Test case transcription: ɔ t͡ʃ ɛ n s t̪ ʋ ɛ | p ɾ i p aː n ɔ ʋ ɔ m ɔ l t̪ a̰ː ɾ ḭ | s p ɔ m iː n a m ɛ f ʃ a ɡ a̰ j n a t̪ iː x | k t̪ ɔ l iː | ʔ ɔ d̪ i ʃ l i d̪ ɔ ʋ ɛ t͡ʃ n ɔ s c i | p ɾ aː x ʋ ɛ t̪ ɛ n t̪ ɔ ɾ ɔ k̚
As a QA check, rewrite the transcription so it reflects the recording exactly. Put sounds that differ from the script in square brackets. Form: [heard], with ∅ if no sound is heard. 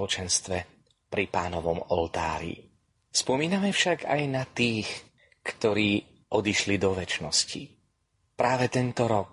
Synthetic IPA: ɔ t͡ʃ ɛ n s t̪ ʋ ɛ | p ɾ i p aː n ɔ ʋ ɔ m ɔ l t̪ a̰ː ɾ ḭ | s p ɔ m iː n a m ɛ f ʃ a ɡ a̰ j n a t̪ iː x | k t̪ ɔ [ɾ] iː | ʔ ɔ d̪ i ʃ l i d̪ ɔ ʋ ɛ t͡ʃ n ɔ s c i | p ɾ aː [∅] ʋ ɛ t̪ ɛ n t̪ ɔ ɾ ɔ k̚